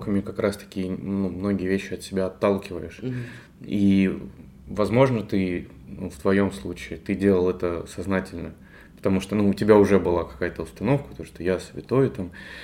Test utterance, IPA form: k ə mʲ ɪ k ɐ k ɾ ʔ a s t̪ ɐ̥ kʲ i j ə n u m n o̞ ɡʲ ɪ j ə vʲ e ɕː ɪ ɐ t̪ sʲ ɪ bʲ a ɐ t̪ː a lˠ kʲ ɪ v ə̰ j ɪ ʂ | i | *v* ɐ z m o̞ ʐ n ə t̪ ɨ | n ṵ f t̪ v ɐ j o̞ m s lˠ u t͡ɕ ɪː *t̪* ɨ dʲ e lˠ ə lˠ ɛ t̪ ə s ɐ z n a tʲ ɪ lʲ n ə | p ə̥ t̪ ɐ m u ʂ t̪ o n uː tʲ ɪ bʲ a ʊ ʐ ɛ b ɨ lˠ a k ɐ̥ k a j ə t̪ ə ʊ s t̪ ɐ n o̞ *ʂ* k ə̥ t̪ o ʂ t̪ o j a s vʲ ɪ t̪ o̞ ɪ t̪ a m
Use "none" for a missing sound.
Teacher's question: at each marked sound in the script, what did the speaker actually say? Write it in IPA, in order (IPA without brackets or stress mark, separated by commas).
v, t̪, f